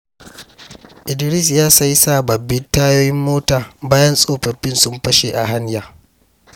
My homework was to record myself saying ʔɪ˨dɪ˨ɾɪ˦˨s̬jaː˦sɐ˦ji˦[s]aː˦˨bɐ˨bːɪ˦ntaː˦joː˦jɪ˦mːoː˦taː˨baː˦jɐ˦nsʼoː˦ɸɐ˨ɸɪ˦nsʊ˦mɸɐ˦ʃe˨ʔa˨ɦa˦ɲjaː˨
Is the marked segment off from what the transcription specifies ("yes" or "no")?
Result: no